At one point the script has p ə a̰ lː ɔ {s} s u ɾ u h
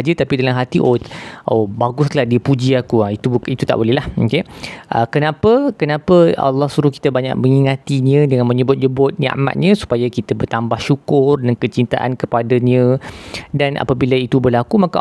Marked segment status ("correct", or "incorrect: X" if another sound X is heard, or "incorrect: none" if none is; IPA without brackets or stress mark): incorrect: h